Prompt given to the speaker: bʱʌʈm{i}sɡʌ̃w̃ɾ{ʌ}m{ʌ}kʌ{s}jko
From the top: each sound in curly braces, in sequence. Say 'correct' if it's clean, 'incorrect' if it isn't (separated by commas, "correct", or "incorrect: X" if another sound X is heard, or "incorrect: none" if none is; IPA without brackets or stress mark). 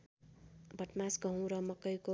incorrect: a, correct, correct, incorrect: none